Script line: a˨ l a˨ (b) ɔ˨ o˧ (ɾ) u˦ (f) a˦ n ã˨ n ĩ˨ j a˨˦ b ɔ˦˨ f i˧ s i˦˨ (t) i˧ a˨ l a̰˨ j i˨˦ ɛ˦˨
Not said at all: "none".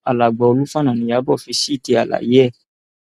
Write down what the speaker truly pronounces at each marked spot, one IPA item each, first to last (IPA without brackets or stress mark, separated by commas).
ɡ͡b, l, f, t